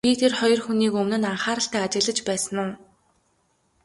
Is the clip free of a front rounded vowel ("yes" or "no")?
yes